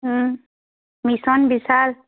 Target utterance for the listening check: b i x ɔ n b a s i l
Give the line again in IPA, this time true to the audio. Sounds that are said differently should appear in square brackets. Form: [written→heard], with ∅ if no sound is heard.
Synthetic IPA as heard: [b→m] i [x→s] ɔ n b [a→i] s [i→a] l